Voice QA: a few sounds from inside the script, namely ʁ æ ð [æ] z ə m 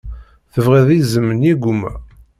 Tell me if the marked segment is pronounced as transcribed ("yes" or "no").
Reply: no